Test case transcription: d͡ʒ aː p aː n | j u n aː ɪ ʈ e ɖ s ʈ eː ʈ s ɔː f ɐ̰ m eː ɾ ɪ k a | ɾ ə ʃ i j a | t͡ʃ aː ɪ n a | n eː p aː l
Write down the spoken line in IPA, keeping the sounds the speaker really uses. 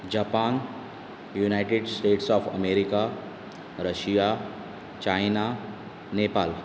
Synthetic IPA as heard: d͡ʒ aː p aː n | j u n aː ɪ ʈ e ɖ s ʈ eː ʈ s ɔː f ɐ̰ m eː ɾ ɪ k a | ɾ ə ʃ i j a | t͡ʃ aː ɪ n a | n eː p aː l